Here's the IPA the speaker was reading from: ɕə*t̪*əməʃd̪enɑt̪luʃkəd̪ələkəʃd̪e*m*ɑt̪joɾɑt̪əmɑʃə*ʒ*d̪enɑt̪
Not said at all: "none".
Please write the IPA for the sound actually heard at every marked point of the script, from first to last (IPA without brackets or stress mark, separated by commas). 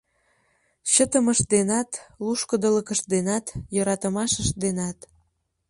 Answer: t̪, n, ʃ